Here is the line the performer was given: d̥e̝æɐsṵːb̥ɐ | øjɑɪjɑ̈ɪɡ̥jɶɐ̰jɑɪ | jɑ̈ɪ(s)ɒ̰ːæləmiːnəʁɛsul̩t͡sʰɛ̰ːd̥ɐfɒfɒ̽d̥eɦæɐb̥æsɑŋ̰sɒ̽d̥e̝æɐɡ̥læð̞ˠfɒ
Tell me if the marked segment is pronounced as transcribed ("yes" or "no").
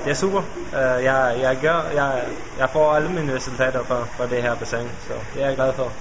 no